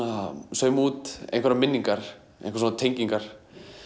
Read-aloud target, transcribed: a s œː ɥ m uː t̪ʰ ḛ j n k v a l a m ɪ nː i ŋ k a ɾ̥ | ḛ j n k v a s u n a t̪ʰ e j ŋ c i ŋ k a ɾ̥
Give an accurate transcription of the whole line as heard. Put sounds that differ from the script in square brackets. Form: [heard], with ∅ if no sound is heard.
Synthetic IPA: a s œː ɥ m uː [t̪] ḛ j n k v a [ɾ] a m ɪ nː i ŋ k a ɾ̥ | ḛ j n k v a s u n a t̪ʰ e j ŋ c i ŋ k a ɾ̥